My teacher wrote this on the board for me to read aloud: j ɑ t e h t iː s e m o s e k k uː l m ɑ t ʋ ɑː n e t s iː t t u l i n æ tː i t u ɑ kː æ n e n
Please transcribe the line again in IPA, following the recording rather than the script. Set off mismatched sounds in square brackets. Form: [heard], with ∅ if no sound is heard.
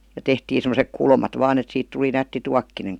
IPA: j ɑ t e h t iː s e m o s e k k [u] l m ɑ t ʋ ɑː n e t s iː t t u l i n æ tː i t u ɑ kː [i] n e [ŋ]